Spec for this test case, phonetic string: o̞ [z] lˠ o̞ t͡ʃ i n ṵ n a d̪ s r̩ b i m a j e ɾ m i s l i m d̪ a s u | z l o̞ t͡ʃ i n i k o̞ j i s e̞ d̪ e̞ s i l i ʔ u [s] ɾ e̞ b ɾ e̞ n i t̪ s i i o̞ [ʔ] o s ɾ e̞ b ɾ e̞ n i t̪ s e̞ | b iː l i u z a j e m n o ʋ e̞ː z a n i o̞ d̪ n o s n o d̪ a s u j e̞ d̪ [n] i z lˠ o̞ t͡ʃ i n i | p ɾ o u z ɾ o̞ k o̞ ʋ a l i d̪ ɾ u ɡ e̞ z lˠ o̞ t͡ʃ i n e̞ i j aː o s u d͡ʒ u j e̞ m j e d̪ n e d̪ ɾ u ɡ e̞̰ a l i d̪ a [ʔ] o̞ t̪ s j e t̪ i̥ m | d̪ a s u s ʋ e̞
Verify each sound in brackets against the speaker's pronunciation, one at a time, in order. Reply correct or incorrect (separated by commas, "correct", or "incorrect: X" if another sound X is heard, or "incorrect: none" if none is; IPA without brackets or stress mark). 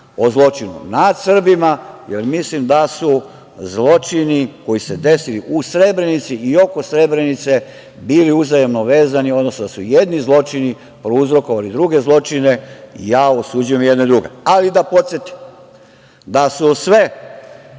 correct, correct, incorrect: k, correct, incorrect: p